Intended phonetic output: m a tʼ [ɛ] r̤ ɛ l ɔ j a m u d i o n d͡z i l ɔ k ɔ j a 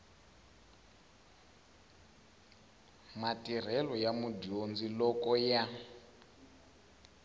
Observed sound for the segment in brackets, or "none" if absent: i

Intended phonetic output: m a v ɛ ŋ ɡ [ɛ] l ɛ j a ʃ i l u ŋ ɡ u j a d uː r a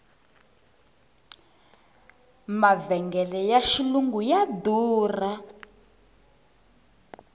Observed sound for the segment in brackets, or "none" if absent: ɛ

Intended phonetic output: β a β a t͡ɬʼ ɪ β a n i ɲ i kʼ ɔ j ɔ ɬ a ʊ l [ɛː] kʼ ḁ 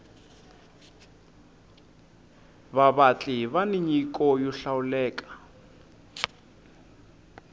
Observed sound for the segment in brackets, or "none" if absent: ɛː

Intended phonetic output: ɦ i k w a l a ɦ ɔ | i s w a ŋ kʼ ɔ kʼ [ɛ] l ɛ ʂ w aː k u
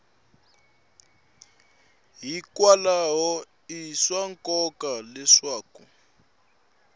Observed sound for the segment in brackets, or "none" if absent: a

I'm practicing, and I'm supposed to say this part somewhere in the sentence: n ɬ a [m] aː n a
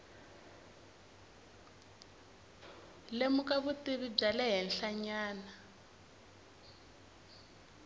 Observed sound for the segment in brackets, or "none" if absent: ɲ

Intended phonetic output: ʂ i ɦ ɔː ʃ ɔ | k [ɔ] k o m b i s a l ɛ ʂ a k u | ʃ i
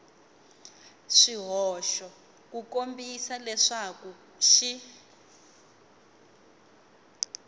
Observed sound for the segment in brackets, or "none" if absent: u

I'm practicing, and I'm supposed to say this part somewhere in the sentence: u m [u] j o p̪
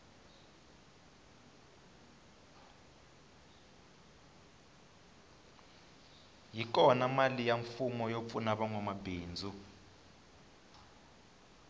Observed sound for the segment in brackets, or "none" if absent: ɔ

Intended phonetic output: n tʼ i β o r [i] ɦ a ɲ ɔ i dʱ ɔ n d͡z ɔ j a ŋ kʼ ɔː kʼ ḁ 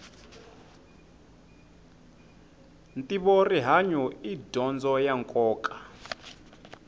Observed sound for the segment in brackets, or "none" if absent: i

